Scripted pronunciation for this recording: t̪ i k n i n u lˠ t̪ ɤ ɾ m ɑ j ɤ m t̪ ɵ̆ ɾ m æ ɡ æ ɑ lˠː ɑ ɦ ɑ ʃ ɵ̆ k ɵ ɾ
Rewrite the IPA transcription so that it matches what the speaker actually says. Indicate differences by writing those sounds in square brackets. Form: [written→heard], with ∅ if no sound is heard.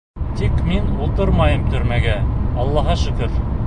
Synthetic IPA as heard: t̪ i k [n→m] i n u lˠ t̪ ɤ ɾ m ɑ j ɤ m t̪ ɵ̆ ɾ m æ ɡ æ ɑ lˠː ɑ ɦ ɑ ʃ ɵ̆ k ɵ ɾ